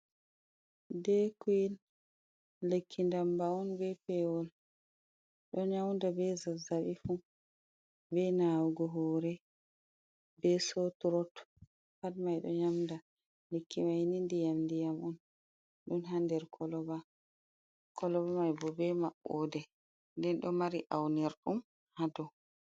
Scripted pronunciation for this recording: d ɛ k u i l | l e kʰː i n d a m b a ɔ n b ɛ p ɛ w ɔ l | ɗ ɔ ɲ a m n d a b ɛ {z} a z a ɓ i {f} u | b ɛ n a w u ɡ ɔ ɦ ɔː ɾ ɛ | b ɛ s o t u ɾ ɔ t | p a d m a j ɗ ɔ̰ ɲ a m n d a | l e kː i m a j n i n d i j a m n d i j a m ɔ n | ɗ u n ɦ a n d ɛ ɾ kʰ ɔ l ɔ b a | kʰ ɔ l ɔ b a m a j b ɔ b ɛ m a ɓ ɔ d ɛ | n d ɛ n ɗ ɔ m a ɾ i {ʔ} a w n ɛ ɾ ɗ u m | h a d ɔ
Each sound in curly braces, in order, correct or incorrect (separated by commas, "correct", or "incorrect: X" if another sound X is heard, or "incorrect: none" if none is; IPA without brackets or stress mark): correct, correct, correct